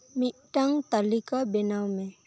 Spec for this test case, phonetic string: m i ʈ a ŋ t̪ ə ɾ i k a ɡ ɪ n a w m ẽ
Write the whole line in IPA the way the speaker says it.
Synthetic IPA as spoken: m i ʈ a ŋ t̪ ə l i k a b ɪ n a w m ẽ

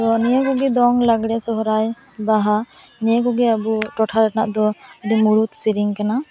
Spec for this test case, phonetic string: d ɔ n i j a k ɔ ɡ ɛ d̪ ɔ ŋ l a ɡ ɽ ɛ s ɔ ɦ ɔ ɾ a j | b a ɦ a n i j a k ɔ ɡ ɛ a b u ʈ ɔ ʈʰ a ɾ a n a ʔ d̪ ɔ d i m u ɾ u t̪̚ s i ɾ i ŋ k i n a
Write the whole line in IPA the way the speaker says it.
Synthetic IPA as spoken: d ɔ n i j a k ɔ ɡ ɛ d̪ ɔ ŋ l a ɡ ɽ ɛ s ɔ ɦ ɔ ɾ a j | b a ɦ a n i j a k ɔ ɡ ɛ a b u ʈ ɔ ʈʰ a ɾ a n a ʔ d̪ ɔ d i m u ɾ u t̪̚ s i ɾ i ŋ k a n a

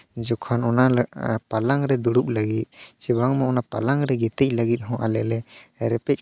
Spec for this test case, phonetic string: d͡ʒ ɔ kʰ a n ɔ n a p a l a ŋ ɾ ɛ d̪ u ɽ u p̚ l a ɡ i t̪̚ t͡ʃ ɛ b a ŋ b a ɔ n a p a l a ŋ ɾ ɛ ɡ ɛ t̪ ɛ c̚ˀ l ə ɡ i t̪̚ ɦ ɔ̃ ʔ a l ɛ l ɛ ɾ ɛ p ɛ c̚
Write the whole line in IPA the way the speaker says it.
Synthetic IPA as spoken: d͡ʒ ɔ kʰ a n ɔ n a p a l a ŋ ɾ ɛ d̪ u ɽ u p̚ l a ɡ i t̪̚ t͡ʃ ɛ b a ŋ m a ɔ n a p a l a ŋ ɾ ɛ ɡ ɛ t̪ ɛ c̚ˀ l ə ɡ i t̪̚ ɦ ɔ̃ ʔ a l ɛ l ɛ ɾ ɛ p ɛ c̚

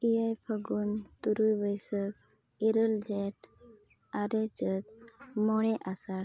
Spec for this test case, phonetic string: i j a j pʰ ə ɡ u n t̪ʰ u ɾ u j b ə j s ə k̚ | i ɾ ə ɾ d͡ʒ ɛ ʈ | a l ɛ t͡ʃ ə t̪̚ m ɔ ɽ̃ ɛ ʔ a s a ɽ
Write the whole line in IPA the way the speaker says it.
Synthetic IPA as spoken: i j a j pʰ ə ɡ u n t̪ u ɾ u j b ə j s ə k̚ | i ɾ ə l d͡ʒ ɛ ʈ | a ɾ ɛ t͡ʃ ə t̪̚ m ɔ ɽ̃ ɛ ʔ a s a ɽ

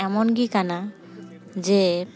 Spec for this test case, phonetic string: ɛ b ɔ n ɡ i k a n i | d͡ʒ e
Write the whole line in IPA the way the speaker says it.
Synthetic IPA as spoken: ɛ m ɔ n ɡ i k a n a | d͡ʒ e

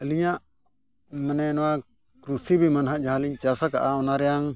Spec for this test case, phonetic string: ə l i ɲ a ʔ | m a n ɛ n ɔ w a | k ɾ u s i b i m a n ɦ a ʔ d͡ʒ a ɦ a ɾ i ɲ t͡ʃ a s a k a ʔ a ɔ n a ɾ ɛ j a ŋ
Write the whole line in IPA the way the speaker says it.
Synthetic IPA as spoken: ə l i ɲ a ʔ | m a n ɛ n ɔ w a | k ɾ u s i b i m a n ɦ a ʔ d͡ʒ a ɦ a l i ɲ t͡ʃ a s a k a ʔ a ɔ n a ɾ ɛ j a ŋ

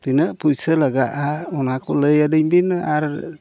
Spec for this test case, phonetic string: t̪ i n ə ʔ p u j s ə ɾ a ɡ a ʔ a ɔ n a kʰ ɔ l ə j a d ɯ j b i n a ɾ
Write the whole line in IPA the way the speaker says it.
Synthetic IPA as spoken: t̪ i n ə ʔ p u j s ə l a ɡ a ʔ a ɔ n a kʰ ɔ l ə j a d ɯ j b i n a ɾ

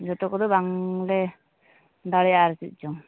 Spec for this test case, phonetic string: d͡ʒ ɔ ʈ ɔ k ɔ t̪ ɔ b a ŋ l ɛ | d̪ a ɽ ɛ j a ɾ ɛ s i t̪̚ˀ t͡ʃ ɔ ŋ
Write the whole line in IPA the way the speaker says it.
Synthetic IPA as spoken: d͡ʒ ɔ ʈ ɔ k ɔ d̪ ɔ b a ŋ l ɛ | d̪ a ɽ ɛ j a ɾ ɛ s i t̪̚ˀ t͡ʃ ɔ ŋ

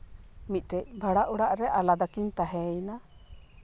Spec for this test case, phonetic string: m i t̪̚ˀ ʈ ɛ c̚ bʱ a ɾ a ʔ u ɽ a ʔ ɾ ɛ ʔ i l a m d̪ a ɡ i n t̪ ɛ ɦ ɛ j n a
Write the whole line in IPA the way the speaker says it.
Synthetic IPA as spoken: m i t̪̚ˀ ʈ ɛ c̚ bʱ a ɽ a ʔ u ɽ a ʔ ɾ ɛ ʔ a l a d̪ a k i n t̪ a ɦ ɛ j n a

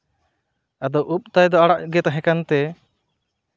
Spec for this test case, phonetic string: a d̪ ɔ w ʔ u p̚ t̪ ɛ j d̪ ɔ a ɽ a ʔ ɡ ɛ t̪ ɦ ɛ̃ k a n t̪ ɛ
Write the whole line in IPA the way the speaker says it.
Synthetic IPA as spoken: a d̪ ɔ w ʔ u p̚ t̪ a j d̪ ɔ a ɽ a ʔ ɡ ɛ t̪ ɦ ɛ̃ k a n t̪ ɛ

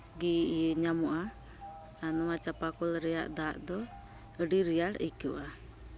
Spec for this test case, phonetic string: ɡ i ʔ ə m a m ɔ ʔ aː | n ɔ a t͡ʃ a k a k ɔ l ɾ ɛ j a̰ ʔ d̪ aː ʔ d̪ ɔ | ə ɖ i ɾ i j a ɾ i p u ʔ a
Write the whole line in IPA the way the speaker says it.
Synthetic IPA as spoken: ɡ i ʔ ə ɲ a m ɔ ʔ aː | n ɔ a t͡ʃ a p a k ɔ l ɾ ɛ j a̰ ʔ d̪ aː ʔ d̪ ɔ | ə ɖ i ɾ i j a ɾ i k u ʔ a

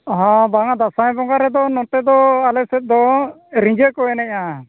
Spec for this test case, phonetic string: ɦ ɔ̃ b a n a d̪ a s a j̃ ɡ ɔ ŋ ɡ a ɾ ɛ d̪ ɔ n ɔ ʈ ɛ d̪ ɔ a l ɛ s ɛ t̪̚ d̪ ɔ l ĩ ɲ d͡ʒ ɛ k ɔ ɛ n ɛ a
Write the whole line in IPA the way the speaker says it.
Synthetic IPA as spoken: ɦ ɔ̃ b a ŋ a d̪ a s a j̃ b ɔ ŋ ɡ a ɾ ɛ d̪ ɔ n ɔ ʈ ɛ d̪ ɔ a l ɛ s ɛ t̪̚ d̪ ɔ ɾ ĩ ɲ d͡ʒ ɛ k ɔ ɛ n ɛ a

